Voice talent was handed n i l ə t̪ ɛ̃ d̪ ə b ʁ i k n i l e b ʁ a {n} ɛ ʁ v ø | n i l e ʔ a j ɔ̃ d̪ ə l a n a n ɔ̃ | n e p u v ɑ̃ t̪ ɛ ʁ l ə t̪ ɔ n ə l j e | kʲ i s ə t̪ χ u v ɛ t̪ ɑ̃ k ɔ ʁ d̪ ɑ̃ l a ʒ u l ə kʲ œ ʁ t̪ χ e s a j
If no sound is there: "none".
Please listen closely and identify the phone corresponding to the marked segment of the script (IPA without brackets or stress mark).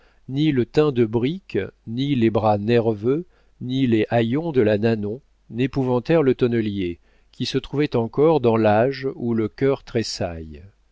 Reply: n